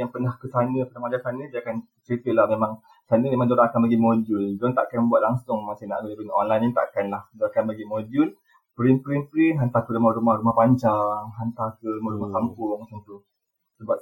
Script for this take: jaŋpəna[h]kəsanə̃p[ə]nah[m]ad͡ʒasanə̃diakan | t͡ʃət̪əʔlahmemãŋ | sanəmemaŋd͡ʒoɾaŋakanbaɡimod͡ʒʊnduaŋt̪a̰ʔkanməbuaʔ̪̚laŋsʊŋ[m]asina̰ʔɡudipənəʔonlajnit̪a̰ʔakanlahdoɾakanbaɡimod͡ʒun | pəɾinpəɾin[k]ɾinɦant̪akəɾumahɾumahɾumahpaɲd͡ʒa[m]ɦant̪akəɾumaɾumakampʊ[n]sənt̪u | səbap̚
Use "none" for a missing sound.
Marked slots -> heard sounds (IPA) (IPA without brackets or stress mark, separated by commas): h, ə, m, m, p, ŋ, ŋ